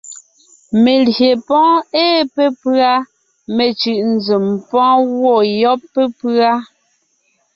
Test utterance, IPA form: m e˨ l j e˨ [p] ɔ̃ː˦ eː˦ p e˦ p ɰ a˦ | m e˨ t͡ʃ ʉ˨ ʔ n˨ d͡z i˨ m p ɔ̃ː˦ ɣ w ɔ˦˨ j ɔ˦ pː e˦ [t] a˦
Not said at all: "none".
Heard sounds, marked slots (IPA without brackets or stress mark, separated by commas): p, p